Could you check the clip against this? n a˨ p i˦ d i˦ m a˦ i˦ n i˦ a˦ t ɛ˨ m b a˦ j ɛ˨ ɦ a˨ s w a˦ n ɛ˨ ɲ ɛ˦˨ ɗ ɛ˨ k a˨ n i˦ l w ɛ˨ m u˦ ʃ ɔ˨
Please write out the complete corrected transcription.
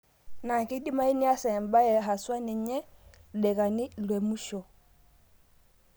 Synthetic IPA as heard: n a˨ k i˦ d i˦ m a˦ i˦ n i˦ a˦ s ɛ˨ m b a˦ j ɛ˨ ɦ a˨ s w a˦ n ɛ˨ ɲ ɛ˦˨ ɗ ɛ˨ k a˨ n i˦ l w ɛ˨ m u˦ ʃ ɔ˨